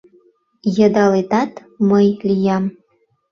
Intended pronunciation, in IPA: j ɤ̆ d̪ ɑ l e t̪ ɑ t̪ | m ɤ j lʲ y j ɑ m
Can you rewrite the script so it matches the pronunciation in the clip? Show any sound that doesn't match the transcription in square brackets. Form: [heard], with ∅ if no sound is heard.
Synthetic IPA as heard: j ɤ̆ d̪ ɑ l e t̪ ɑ t̪ | m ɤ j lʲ [i] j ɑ m

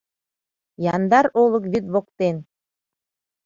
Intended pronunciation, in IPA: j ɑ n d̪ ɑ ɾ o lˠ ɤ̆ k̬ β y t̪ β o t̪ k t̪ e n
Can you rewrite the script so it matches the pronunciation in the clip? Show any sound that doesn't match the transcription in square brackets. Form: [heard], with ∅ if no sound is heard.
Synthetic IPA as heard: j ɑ n d̪ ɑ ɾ o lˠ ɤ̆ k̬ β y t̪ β o [∅] k t̪ e n

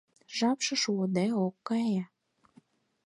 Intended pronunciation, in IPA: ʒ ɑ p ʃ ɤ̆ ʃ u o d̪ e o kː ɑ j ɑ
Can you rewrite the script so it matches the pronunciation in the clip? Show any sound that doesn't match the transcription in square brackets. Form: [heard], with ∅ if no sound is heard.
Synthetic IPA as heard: ʒ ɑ p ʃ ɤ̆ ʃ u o d̪ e o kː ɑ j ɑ

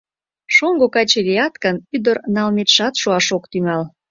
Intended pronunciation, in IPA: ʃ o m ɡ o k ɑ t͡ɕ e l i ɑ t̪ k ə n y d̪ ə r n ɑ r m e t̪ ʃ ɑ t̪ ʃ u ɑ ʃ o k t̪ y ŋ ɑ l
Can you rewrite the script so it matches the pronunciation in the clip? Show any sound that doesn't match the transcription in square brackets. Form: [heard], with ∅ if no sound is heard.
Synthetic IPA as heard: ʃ o [ŋ] ɡ o k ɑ t͡ɕ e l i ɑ t̪ k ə n y d̪ ə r n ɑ [l] m e t̪ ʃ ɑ t̪ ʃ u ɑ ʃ o k t̪ y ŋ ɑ l

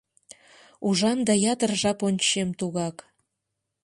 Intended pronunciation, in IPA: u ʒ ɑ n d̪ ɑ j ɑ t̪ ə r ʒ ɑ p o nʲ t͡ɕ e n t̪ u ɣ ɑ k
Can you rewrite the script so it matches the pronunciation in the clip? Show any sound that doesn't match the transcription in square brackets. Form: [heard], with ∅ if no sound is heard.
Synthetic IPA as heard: u ʒ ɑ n d̪ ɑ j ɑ t̪ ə r ʒ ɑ p o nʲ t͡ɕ e [m] t̪ u ɣ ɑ k

